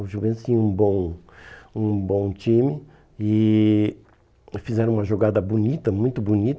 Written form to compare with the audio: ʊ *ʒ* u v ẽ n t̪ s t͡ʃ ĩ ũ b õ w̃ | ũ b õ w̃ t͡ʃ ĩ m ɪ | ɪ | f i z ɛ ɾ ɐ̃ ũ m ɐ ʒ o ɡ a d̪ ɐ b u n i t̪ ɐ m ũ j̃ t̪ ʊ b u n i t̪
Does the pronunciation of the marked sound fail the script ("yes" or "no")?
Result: no